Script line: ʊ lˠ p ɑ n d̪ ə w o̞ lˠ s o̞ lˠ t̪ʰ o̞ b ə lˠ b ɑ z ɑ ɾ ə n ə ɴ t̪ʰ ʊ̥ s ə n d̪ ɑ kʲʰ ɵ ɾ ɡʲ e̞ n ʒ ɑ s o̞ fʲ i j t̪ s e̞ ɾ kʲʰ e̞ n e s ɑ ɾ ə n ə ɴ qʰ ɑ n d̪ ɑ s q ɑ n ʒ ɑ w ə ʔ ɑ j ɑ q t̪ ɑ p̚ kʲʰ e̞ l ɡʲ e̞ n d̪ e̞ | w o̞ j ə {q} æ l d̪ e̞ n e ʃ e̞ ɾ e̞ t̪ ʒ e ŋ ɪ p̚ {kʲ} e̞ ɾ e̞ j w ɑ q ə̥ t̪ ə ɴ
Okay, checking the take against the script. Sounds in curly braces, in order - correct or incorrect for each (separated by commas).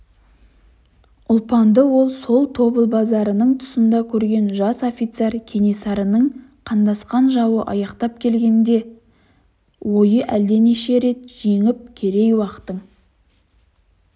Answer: incorrect, incorrect